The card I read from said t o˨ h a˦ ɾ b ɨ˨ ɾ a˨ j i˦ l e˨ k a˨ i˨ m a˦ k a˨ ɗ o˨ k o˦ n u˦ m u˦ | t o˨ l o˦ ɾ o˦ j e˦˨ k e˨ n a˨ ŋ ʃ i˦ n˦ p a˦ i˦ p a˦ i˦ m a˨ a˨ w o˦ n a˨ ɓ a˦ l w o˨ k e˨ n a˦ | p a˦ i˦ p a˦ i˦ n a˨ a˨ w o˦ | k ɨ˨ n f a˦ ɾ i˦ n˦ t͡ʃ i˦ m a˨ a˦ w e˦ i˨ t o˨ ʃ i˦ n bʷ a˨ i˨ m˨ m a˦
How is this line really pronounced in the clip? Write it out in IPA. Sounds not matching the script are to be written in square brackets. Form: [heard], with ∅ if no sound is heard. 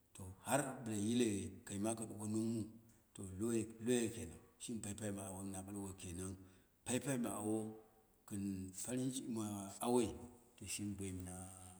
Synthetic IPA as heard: t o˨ h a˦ ɾ b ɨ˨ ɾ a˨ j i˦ l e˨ k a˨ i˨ m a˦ k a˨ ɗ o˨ k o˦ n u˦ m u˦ | t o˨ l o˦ [l] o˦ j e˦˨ k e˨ n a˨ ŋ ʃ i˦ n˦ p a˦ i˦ p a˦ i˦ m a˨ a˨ w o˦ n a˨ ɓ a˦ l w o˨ k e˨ n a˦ | p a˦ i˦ p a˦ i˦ [m] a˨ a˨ w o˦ | k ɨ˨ n f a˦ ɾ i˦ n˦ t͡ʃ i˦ m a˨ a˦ w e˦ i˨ t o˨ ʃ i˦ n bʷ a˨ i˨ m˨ [n] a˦